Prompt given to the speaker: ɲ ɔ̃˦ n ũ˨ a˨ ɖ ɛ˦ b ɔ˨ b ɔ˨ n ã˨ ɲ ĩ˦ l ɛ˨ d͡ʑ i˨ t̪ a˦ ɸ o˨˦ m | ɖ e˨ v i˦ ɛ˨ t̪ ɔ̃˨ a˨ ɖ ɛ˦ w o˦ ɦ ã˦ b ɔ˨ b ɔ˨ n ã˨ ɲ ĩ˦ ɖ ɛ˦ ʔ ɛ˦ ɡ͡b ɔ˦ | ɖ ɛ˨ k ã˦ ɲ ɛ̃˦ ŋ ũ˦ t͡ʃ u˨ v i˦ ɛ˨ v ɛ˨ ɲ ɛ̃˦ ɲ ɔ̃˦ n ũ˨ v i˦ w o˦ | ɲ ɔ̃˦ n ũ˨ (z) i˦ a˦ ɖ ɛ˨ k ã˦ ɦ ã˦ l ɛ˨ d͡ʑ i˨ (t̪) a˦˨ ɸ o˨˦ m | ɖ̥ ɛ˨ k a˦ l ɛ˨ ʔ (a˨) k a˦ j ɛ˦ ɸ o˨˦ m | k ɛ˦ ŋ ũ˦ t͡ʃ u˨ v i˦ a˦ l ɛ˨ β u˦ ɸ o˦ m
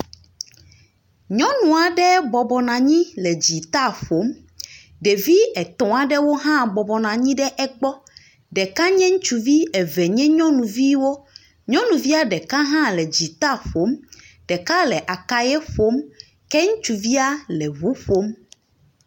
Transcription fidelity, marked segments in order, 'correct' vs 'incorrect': incorrect: v, correct, correct

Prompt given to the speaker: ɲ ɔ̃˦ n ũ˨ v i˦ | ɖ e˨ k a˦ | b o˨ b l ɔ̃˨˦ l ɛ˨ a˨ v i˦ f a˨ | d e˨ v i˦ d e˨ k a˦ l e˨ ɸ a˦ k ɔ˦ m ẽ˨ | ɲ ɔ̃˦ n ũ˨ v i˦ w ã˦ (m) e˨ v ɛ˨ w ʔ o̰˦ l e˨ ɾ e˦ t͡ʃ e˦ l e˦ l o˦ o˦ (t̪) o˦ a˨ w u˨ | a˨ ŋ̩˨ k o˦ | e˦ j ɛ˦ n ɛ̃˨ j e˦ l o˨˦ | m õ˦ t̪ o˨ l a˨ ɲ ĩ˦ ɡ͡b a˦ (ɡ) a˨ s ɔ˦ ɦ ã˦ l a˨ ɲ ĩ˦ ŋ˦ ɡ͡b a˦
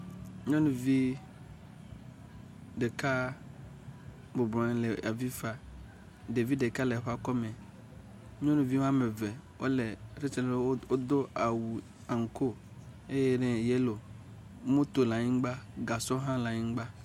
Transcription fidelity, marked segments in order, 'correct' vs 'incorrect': correct, incorrect: d̪, correct

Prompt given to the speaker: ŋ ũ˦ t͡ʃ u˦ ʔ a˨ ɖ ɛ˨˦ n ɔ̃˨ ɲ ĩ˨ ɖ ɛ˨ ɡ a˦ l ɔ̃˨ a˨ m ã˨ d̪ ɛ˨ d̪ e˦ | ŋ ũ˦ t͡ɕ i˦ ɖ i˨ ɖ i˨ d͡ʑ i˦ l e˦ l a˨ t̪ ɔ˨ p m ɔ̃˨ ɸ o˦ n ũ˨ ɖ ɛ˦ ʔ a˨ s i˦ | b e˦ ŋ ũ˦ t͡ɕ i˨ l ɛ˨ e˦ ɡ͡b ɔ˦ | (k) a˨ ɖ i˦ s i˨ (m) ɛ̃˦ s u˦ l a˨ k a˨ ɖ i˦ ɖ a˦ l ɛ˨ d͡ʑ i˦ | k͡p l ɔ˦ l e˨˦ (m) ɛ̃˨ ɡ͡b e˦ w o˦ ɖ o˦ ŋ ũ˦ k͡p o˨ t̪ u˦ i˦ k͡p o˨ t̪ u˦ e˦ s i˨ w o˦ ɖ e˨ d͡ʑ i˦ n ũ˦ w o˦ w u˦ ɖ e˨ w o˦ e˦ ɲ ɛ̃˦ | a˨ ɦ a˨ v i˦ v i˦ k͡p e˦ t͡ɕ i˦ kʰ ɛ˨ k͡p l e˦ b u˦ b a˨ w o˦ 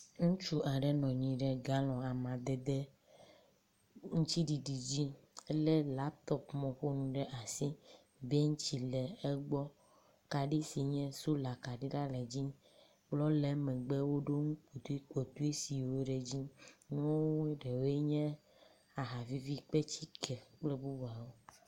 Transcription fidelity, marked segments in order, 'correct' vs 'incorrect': correct, incorrect: ɲ, correct

